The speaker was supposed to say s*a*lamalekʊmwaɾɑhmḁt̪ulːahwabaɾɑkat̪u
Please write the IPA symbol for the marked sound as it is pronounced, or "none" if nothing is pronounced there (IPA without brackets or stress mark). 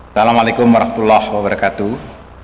a